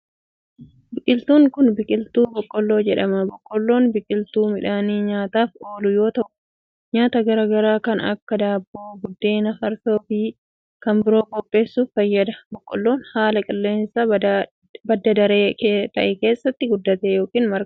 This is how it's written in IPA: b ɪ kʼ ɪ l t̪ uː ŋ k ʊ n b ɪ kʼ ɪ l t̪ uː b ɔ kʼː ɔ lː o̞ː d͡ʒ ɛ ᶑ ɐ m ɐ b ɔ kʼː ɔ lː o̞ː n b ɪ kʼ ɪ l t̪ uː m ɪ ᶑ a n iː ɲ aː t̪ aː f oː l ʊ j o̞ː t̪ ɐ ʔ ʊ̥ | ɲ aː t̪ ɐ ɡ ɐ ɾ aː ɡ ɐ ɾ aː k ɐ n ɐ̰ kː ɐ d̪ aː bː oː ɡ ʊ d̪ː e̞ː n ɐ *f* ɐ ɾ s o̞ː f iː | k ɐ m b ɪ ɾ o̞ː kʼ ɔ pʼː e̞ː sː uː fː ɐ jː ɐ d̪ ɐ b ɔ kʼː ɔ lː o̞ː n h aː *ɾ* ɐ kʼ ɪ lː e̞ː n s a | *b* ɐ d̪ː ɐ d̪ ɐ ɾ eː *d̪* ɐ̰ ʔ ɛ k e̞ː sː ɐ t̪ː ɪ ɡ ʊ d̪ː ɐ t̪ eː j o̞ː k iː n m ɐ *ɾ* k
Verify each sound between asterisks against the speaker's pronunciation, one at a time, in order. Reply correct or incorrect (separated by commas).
correct, incorrect, correct, incorrect, correct